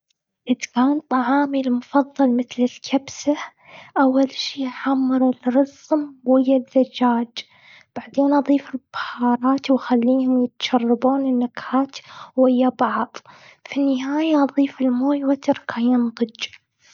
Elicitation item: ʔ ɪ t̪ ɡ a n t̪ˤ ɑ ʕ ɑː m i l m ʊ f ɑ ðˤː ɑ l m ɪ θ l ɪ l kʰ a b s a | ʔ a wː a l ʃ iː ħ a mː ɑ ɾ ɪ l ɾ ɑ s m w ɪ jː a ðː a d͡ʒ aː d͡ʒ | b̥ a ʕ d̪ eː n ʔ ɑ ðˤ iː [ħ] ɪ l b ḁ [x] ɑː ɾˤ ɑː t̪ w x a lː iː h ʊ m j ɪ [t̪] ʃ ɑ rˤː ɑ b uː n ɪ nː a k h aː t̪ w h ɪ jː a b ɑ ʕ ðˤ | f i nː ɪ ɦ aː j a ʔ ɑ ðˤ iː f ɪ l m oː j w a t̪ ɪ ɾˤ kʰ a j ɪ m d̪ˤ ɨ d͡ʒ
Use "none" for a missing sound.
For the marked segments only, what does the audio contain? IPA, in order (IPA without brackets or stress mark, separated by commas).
f, h, t̪